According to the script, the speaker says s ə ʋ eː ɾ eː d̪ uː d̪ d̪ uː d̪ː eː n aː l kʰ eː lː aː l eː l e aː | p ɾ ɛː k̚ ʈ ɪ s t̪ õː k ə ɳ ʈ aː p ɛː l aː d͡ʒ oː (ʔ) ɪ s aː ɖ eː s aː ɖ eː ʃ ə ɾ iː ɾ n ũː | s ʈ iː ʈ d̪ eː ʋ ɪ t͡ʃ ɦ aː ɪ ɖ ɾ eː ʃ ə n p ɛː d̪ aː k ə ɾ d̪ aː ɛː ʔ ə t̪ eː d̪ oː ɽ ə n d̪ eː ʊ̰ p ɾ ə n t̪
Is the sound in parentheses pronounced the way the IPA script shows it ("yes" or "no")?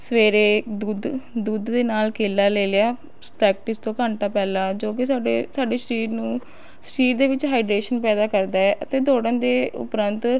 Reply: no